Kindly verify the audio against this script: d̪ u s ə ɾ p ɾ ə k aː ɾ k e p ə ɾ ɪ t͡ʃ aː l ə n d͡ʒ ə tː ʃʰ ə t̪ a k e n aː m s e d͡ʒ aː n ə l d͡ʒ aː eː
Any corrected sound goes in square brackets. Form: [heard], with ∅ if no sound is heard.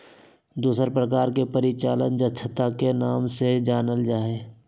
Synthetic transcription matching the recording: d̪ [uː] s ə ɾ p ɾ ə k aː ɾ k e p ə ɾ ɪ t͡ʃ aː l ə n d͡ʒ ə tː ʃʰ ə t̪ a k e n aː m s e d͡ʒ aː n ə l d͡ʒ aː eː

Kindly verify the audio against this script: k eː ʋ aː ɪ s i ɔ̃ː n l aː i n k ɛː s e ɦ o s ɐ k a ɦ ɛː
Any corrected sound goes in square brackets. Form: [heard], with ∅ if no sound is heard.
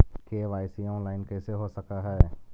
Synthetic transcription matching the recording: k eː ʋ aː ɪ s i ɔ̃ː n l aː [ɪ] n k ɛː s e ɦ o s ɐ k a ɦ ɛː

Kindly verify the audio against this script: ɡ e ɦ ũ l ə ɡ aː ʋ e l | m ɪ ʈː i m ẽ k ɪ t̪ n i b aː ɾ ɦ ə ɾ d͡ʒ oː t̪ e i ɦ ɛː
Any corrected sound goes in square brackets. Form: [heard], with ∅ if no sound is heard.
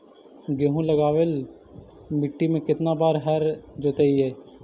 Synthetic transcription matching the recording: ɡ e ɦ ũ l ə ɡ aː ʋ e l | m ɪ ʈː i m ẽ k ɪ t̪ n [a] b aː ɾ ɦ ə ɾ d͡ʒ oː t̪ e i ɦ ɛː

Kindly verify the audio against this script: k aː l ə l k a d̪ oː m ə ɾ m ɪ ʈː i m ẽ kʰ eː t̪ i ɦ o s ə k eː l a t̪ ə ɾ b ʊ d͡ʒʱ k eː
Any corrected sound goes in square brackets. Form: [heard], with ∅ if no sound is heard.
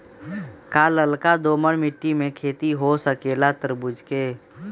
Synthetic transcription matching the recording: k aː l ə l k a d̪ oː m ə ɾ m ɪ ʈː i m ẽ kʰ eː t̪ i ɦ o s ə k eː l a t̪ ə ɾ b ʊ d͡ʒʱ k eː

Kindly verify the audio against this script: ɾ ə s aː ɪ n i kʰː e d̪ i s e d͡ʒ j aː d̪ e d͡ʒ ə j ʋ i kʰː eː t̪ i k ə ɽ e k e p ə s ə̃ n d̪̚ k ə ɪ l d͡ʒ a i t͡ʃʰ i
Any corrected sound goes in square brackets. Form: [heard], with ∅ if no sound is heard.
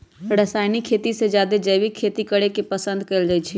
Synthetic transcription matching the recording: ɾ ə s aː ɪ n i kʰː e [t̪] i s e d͡ʒ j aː d̪ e d͡ʒ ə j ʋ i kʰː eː t̪ i k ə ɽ e k e p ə s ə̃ n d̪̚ k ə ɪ l d͡ʒ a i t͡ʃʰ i

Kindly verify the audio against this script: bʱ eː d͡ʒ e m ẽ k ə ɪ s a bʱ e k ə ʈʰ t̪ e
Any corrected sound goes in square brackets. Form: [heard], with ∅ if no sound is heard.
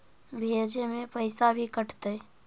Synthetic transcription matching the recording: bʱ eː d͡ʒ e m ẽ [p] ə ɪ s a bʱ [i] k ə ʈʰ t̪ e

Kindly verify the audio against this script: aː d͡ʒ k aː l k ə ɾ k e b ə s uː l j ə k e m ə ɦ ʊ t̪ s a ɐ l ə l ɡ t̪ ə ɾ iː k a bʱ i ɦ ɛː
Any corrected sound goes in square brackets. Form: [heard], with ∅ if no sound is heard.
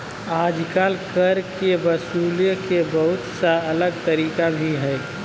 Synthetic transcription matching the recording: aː d͡ʒ k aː l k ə ɾ k e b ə s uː l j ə k e [b] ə ɦ ʊ t̪ s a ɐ l ə [∅] ɡ t̪ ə ɾ iː k a bʱ i ɦ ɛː

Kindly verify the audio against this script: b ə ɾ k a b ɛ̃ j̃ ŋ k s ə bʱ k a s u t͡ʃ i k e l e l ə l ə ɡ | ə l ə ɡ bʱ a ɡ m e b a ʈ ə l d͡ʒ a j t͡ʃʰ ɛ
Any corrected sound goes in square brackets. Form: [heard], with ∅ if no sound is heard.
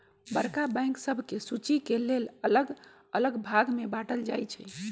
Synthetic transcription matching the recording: b ə ɾ k a b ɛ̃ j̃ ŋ k s ə bʱ k [e] s u t͡ʃ i k e l e l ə l ə ɡ | ə l ə ɡ bʱ a ɡ m e b a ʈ ə l d͡ʒ a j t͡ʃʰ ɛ

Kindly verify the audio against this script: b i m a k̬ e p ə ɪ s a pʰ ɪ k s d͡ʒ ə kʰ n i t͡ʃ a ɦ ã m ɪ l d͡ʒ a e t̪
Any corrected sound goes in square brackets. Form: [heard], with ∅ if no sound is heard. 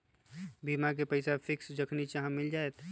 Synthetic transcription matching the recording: b i m a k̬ e p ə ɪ s a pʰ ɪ k s d͡ʒ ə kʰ n i t͡ʃ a ɦ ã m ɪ l d͡ʒ a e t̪

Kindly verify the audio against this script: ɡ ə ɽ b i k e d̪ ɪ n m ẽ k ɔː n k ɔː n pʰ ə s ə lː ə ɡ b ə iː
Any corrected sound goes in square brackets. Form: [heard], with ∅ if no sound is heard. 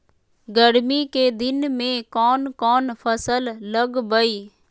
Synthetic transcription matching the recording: ɡ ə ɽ [m] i k e d̪ ɪ n m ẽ k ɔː n k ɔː n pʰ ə s ə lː ə ɡ b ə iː

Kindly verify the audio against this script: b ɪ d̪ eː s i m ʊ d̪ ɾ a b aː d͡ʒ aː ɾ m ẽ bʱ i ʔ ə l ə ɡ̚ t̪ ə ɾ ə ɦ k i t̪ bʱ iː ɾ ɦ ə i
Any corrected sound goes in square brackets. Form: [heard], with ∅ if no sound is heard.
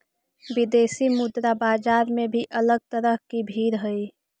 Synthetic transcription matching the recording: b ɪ d̪ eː s i m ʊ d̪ ɾ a b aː d͡ʒ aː ɾ m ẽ bʱ i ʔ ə l ə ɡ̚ t̪ ə ɾ ə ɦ k i [∅] bʱ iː ɾ ɦ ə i

